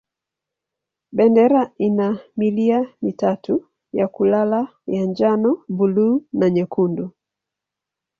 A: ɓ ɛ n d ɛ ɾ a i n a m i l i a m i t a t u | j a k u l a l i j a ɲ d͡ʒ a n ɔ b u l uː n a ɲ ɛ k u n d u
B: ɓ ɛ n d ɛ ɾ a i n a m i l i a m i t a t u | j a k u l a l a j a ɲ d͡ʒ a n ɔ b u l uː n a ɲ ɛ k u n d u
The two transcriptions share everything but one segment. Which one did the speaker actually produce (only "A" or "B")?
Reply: B